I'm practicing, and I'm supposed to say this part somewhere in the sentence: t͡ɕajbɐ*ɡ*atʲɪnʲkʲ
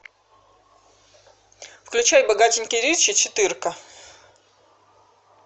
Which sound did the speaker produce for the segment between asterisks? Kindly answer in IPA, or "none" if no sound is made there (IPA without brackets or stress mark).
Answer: ɡ